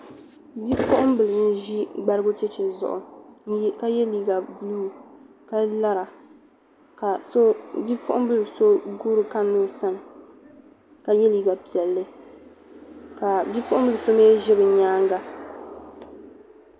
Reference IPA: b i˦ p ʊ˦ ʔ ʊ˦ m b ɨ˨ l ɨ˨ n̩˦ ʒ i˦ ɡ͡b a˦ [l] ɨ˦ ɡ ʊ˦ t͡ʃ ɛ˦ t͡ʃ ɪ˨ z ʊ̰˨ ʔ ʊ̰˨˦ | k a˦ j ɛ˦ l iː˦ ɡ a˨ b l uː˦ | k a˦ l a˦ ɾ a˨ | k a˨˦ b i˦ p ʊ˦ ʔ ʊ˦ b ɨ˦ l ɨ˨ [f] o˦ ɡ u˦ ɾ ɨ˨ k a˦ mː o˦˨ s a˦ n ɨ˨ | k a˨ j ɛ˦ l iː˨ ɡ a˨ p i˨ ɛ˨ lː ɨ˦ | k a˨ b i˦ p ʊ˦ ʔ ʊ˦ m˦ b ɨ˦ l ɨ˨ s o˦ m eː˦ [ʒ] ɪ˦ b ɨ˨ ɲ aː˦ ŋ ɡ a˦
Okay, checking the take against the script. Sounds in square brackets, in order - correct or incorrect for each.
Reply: incorrect: ɾ, incorrect: s, correct

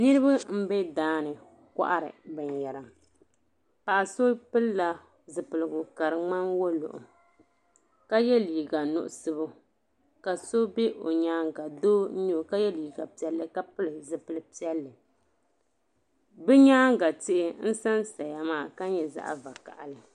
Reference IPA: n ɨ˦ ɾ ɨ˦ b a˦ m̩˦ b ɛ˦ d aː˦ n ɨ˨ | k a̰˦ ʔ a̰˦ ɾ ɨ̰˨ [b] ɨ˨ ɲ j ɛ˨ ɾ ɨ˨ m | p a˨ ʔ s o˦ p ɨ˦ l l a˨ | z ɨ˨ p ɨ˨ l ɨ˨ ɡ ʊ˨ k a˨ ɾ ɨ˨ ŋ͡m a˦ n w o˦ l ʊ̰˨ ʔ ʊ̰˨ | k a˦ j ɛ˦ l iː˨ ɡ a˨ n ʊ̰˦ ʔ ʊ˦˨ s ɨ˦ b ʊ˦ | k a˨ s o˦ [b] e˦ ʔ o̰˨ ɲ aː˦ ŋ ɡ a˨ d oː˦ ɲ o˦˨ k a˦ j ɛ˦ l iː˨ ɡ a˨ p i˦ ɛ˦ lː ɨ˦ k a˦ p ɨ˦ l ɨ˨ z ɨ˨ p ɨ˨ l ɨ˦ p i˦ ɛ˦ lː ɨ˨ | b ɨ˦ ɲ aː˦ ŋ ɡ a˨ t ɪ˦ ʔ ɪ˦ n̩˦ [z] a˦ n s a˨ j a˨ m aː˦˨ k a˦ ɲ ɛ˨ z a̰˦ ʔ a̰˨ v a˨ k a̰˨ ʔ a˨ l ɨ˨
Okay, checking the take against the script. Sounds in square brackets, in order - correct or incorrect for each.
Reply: correct, correct, incorrect: s

